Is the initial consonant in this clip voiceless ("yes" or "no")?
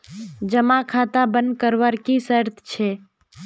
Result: no